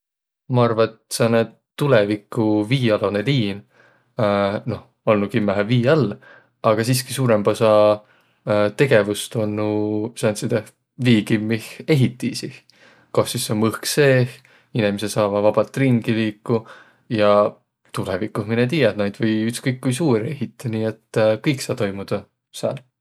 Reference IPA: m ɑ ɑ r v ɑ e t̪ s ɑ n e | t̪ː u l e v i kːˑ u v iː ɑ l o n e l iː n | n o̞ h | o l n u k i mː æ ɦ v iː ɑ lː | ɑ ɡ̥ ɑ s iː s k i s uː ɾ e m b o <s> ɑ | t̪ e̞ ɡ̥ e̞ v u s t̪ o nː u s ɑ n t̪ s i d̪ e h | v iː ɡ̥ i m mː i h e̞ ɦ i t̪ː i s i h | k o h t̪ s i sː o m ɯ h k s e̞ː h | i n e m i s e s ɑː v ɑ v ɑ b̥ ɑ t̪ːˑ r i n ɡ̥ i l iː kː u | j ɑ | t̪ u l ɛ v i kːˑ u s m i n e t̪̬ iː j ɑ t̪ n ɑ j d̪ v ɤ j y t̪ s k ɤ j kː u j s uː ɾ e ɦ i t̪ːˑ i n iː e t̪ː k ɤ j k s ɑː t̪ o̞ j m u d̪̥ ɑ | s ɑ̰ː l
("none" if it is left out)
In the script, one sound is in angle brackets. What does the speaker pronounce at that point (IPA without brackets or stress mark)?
s